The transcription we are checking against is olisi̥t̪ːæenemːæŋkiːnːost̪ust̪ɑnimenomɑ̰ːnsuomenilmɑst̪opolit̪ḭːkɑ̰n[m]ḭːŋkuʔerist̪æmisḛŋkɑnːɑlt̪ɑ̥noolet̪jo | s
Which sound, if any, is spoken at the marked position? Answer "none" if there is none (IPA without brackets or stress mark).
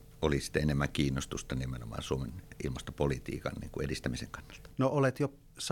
n